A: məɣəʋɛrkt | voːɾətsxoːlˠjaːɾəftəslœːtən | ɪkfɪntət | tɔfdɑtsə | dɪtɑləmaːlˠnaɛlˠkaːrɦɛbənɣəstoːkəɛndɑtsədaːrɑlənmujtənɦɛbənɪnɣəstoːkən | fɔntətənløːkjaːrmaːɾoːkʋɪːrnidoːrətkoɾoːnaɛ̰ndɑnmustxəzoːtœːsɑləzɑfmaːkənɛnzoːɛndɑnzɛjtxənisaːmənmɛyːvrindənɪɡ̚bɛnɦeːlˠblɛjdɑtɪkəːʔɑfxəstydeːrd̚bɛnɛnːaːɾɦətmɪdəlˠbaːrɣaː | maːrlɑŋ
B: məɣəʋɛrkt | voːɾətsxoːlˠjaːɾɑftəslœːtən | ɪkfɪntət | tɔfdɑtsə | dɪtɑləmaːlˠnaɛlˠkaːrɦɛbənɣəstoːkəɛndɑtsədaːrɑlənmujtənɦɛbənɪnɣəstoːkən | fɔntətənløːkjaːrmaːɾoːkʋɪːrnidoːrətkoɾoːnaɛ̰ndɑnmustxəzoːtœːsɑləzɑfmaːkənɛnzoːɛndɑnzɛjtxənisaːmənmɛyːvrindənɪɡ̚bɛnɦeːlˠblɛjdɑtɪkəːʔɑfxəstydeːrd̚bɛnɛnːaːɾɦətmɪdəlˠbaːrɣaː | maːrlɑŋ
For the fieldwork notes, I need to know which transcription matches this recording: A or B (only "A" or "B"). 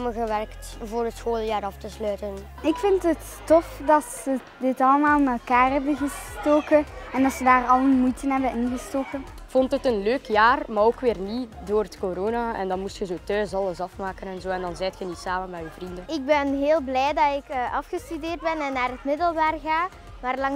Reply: B